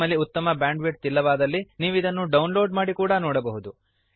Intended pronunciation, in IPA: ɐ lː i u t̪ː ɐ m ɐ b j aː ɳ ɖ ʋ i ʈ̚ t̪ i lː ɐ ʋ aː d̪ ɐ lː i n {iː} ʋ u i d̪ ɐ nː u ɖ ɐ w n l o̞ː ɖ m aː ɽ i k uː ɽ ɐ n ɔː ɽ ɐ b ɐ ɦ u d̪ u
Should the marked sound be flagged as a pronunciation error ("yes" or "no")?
no